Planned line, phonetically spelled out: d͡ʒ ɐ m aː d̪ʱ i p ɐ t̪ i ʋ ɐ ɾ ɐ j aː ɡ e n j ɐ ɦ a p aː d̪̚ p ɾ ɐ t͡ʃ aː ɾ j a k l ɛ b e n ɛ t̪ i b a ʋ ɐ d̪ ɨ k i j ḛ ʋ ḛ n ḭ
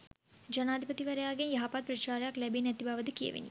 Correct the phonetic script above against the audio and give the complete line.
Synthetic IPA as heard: d͡ʒ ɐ n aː d̪ʱ i p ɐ t̪ i ʋ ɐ ɾ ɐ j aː ɡ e n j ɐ ɦ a p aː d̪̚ p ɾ ɐ t͡ʃ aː ɾ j a k l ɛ b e n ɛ t̪ i b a ʋ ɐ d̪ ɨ k i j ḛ ʋ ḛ n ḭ